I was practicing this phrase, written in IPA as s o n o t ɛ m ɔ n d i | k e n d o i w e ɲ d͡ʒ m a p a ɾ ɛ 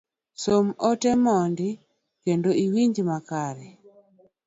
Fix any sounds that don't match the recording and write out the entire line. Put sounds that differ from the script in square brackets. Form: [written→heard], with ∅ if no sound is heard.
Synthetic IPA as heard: s o [n→m] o t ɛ m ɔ n d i | k e n d o i w [e→i] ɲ d͡ʒ m a [p→k] a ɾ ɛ